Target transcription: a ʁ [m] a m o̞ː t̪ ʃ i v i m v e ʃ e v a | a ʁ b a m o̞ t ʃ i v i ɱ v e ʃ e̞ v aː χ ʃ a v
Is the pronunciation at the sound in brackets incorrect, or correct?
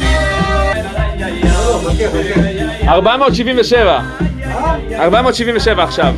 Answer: incorrect